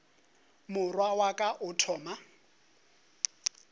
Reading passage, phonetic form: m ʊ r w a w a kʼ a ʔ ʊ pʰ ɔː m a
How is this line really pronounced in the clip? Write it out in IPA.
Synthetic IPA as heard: m ʊ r w a w a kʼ a ʔ ʊ tʰ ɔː m a